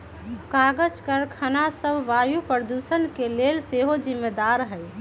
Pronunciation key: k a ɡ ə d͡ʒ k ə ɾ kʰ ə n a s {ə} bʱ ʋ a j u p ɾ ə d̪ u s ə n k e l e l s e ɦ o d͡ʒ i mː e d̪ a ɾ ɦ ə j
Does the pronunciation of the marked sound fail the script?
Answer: no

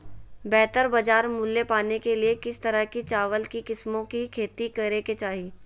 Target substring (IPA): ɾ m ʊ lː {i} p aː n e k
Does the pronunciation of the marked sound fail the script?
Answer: yes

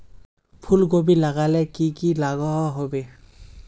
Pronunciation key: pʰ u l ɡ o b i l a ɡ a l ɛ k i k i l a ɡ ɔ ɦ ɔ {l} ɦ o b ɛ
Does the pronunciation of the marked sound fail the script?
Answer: yes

